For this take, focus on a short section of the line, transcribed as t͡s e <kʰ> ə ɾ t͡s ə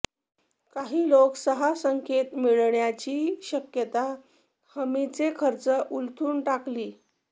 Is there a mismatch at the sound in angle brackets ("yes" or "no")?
no